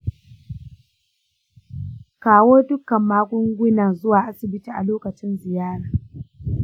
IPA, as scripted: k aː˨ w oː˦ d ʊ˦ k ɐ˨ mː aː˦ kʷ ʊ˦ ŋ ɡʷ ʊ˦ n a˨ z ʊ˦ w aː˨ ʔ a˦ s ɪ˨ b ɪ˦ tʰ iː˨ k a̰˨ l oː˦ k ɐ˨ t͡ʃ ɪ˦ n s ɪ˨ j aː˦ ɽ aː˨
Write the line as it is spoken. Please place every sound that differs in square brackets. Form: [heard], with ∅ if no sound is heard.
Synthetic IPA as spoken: k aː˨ w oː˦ d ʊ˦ k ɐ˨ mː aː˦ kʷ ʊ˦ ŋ ɡʷ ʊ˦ n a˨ z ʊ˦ w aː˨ ʔ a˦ s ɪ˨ b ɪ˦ [t] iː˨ [ʔ] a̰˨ l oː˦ k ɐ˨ t͡ʃ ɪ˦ n [z] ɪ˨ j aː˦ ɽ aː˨

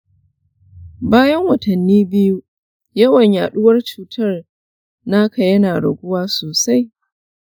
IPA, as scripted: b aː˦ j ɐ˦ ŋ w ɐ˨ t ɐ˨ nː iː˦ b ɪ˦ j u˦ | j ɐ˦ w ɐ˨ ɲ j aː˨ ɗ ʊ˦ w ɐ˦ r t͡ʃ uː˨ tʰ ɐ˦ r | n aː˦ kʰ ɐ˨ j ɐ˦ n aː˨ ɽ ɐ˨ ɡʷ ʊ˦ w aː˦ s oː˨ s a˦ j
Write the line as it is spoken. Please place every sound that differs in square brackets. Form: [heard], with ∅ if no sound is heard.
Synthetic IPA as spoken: b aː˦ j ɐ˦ ŋ w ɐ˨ t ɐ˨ nː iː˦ b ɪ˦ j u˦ | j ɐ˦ w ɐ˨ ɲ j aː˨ ɗ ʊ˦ w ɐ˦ r t͡ʃ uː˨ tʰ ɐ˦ r | n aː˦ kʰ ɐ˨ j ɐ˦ n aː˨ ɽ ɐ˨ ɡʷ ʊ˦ w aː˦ s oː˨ s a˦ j

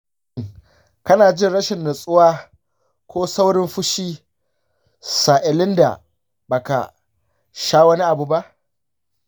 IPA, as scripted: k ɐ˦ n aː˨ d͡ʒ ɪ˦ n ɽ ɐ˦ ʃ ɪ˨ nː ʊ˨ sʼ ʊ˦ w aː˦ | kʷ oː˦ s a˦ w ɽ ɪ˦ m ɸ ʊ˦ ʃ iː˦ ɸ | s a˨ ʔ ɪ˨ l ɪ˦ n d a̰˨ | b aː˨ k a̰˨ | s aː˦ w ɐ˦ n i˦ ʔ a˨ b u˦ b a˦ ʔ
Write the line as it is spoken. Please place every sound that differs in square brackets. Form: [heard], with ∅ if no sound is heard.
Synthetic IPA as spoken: k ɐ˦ n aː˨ d͡ʒ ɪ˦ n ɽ ɐ˦ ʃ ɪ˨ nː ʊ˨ sʼ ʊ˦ w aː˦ | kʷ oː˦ s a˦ w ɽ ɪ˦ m ɸ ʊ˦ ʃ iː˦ [∅] | s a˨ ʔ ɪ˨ l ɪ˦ n d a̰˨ | b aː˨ k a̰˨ | [ʃ] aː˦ w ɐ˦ n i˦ ʔ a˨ b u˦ b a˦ ʔ

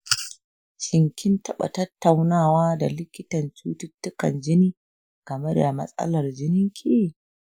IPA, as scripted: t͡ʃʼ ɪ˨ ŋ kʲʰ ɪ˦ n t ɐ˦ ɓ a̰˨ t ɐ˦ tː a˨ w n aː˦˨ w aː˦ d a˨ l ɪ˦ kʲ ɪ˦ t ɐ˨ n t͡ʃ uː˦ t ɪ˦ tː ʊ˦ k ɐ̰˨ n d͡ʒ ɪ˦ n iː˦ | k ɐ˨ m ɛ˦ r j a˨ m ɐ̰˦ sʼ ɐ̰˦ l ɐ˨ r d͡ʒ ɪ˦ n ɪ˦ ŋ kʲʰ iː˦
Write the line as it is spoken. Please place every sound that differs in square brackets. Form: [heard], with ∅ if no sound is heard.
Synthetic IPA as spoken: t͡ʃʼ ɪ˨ ŋ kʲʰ ɪ˦ n t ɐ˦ ɓ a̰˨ t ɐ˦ tː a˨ w n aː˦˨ w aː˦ d a˨ l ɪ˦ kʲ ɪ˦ t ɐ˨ n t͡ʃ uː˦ t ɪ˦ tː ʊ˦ k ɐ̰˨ n d͡ʒ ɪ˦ n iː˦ | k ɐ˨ m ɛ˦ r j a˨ m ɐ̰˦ sʼ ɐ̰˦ l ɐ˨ r d͡ʒ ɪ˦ n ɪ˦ ŋ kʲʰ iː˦

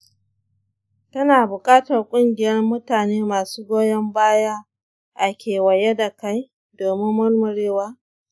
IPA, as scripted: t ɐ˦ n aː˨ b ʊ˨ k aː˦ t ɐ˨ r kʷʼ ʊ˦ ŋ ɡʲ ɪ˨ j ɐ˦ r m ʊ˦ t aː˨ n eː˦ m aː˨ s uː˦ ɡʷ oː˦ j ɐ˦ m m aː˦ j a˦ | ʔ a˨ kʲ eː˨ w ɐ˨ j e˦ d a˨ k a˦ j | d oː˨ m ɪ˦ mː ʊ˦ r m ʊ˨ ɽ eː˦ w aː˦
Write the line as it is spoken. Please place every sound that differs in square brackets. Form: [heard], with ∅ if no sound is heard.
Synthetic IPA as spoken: t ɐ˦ n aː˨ b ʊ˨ [kʼ] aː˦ t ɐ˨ r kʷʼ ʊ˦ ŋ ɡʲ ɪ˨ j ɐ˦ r m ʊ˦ t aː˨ n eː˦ m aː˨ s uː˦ ɡʷ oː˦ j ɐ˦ m [b] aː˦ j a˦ | ʔ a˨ kʲ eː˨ w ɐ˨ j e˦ d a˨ k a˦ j | d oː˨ m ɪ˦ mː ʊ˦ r m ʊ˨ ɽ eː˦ w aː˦

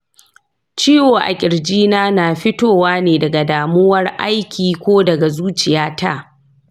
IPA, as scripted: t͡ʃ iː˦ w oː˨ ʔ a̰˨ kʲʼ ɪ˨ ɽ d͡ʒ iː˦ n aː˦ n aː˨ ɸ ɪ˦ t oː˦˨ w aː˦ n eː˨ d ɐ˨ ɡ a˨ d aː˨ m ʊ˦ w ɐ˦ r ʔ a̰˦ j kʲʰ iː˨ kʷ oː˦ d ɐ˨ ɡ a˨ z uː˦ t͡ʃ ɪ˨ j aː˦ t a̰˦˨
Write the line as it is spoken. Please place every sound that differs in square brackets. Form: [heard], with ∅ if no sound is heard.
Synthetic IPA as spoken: t͡ʃ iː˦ w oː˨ ʔ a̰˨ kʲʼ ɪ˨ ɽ d͡ʒ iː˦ n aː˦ n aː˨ ɸ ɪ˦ t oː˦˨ w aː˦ n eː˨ d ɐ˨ ɡ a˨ d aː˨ m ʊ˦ w ɐ˦ r ʔ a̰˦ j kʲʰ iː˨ kʷ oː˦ d ɐ˨ ɡ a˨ z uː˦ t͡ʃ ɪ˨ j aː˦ t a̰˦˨

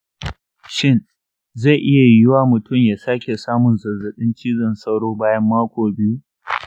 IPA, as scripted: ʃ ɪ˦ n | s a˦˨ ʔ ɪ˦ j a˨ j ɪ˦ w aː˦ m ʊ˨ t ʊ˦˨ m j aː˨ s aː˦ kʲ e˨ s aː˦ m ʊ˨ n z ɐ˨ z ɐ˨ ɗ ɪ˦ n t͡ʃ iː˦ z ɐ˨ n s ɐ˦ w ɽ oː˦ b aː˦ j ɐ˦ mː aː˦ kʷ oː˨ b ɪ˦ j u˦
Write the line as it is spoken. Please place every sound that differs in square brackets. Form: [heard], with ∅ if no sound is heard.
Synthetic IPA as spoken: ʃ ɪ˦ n | [z] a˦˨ ʔ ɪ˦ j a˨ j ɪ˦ w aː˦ m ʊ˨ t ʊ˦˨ m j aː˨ s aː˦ kʲ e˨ s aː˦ m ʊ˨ n z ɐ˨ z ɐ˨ ɗ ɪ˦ n t͡ʃ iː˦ z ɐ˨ n s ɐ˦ w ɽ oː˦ b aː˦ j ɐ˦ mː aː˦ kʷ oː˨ b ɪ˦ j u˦

